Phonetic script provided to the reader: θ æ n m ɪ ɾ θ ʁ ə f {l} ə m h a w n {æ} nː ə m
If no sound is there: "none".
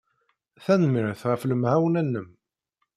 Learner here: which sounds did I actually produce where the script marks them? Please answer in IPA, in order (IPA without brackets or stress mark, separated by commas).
l, æ